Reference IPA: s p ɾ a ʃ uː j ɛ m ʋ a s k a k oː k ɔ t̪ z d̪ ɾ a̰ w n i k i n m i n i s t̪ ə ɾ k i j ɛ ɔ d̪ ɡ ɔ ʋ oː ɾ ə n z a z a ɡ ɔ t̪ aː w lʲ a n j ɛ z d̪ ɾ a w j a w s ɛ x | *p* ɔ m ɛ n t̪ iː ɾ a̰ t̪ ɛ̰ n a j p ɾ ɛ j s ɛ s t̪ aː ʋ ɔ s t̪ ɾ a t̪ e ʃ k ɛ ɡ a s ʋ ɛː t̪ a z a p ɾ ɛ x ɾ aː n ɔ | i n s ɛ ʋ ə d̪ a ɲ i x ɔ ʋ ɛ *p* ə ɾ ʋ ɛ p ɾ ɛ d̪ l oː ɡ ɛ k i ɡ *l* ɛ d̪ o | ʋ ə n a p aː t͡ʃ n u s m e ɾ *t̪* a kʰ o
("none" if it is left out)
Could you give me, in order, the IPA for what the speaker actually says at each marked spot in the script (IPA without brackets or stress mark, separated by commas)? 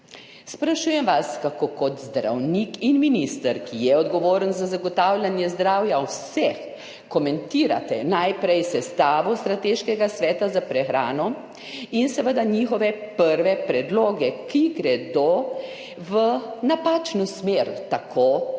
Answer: k, p, ɾ, t̪